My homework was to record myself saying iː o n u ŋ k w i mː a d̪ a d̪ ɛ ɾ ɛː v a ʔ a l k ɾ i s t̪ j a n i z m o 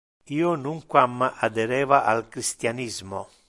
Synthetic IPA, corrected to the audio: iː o n u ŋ k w a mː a a d̪ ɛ ɾ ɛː v a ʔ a l k ɾ i s t̪ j a n i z m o